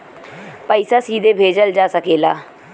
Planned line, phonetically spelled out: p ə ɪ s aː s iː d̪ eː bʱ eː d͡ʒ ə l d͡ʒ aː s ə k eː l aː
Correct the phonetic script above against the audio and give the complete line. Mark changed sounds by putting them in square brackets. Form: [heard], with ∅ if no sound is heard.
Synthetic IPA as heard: p ə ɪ s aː s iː d̪ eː bʱ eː d͡ʒ ə l d͡ʒ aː s ə k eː l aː